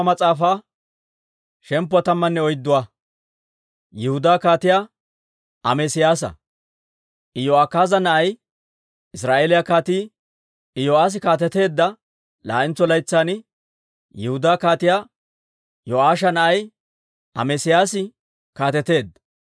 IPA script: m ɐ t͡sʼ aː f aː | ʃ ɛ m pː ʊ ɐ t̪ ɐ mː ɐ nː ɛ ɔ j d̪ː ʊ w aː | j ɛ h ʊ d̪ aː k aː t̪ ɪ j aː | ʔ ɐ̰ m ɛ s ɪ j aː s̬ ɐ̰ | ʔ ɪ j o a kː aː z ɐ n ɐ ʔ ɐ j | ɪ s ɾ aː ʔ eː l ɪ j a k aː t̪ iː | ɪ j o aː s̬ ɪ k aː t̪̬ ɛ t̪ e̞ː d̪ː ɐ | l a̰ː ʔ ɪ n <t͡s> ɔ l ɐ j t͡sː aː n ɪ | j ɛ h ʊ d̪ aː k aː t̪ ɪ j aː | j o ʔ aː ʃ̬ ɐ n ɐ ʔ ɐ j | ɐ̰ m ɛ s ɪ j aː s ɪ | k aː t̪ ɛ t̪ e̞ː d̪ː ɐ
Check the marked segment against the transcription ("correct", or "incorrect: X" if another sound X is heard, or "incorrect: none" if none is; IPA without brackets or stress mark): correct